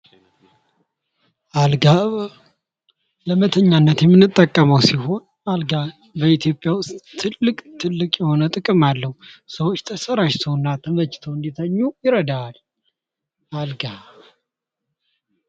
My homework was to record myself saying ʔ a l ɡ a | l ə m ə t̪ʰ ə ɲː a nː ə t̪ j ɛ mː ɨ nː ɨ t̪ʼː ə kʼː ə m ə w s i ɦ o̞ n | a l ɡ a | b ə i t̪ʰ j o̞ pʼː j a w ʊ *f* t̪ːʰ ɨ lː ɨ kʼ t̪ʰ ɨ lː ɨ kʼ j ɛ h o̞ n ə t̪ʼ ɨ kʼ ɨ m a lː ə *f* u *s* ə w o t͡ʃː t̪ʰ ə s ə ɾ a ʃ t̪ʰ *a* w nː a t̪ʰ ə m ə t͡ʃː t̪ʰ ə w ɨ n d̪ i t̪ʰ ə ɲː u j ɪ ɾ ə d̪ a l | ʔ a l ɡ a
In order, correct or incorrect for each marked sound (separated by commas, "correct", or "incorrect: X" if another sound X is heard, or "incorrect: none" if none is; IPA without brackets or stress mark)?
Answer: incorrect: s, incorrect: h, correct, incorrect: ə